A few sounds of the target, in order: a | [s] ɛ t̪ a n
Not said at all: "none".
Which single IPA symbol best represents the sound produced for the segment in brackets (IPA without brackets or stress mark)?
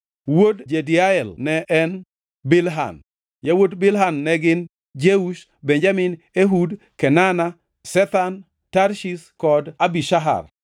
s